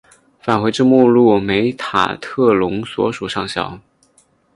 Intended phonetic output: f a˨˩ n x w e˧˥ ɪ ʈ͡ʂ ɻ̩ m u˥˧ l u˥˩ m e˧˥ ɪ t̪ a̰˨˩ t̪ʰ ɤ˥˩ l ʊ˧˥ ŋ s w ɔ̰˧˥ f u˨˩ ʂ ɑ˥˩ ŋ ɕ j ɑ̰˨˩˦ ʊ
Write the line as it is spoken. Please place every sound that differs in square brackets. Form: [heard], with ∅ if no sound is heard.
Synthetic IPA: f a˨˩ n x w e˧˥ ɪ ʈ͡ʂ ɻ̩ m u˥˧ l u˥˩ m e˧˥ ɪ [t̪ʰ] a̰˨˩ t̪ʰ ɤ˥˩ l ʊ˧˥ ŋ s w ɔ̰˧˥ [ʂ] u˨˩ ʂ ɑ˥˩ ŋ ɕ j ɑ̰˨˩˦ ʊ